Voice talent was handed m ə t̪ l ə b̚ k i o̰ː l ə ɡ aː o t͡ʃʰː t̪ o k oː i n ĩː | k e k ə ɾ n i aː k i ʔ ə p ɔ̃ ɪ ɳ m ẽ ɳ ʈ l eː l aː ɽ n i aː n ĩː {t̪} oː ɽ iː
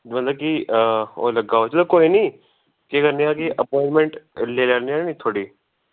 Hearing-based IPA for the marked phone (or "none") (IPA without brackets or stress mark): t̪ʰ